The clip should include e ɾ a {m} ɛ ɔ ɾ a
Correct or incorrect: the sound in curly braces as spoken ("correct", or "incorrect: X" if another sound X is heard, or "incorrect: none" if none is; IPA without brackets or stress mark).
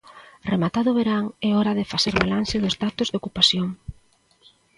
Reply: incorrect: ŋ